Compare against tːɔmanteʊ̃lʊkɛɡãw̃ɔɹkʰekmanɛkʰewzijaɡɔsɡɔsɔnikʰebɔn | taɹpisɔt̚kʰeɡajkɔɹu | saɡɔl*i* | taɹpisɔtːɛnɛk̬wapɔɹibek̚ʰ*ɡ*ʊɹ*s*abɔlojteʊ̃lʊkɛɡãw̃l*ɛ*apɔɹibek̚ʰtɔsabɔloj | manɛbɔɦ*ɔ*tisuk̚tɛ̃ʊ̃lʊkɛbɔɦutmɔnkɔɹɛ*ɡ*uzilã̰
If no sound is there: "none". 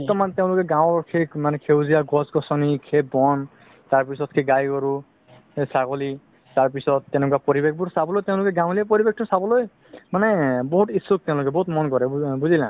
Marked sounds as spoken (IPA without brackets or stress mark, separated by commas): i, b, s, i, u, b